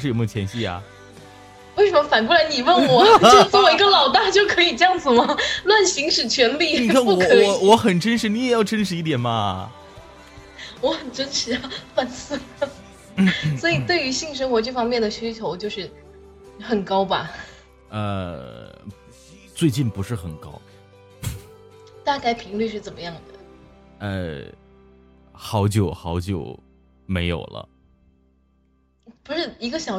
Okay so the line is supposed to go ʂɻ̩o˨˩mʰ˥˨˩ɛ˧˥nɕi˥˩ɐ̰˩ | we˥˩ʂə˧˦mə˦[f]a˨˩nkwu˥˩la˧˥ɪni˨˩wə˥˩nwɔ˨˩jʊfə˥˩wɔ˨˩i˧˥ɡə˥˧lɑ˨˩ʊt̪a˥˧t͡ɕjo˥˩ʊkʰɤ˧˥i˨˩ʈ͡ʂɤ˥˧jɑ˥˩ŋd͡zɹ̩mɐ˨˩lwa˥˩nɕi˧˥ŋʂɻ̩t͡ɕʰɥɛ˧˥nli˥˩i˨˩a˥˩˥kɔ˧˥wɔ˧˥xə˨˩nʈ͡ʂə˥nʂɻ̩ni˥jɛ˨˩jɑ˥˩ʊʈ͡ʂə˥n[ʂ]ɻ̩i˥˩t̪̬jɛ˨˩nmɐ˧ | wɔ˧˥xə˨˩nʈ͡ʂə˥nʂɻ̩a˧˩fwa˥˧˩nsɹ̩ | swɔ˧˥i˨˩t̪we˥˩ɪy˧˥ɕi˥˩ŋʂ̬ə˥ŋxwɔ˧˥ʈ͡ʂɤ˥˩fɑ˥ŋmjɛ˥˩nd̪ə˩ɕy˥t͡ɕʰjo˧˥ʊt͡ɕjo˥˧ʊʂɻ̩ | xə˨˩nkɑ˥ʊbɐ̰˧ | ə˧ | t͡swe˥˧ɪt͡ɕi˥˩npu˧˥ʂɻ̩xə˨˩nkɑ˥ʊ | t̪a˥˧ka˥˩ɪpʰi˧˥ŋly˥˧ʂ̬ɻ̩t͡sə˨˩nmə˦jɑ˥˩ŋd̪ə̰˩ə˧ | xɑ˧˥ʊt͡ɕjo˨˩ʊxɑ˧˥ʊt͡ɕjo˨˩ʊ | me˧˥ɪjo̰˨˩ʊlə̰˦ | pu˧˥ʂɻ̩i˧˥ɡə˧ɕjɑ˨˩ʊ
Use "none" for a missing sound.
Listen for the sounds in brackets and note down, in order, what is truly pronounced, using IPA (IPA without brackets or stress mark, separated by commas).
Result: f, ʂ